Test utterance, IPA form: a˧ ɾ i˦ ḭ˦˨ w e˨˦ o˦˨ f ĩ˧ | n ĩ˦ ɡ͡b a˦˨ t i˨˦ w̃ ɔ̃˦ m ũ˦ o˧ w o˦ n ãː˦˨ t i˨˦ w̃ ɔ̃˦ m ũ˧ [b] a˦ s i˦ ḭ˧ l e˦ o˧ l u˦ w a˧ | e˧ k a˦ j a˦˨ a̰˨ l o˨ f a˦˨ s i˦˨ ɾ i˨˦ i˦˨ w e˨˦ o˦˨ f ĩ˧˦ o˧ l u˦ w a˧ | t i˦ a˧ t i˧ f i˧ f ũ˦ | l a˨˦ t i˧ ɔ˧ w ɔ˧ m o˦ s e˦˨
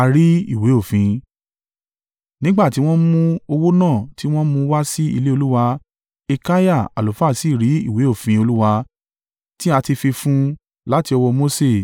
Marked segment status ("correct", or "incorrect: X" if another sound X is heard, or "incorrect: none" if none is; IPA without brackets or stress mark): incorrect: w